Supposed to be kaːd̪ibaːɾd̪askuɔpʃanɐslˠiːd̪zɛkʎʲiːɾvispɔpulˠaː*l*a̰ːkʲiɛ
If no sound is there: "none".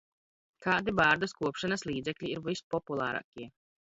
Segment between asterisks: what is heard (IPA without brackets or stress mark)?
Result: ɾ